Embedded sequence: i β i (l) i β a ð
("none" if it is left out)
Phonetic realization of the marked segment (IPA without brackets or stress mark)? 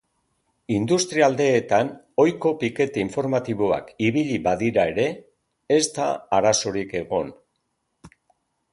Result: ʎ